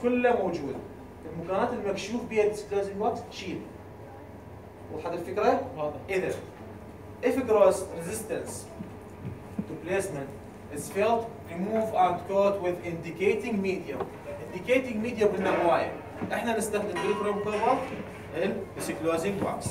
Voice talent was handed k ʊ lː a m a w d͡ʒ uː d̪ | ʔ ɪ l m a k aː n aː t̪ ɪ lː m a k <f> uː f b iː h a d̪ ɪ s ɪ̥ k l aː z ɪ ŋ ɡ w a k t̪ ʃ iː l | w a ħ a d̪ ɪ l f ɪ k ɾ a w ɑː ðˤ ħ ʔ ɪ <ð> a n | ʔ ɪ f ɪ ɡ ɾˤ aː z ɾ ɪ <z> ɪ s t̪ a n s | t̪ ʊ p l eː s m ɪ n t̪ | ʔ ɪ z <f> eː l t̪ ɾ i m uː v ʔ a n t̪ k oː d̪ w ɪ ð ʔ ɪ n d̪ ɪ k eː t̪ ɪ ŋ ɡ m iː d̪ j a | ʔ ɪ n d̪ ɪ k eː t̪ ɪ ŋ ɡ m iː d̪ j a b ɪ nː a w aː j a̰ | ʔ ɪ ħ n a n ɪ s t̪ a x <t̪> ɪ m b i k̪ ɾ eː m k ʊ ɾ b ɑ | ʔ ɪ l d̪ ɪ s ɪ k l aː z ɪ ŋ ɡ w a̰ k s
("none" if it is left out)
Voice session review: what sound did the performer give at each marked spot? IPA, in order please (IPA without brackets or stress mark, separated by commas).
ʃ, ð, z, f, d̪